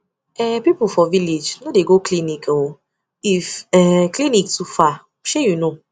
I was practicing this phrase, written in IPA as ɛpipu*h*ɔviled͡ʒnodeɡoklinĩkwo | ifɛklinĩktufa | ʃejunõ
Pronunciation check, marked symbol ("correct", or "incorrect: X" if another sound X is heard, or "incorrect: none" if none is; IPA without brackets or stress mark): incorrect: f